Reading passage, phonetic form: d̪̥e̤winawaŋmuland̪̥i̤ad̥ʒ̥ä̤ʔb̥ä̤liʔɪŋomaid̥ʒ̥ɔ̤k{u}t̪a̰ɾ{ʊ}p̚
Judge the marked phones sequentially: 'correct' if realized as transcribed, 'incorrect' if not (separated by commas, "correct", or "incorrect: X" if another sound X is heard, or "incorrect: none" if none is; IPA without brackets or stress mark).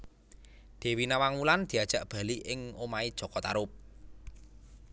incorrect: ɔ, correct